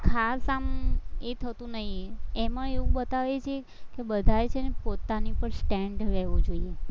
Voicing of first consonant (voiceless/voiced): voiceless